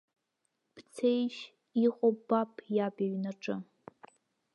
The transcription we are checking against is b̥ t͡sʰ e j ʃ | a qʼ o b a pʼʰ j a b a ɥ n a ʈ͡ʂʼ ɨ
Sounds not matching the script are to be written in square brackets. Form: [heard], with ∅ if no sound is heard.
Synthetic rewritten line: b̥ t͡sʰ e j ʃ | [i] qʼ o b a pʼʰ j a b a ɥ n a ʈ͡ʂʼ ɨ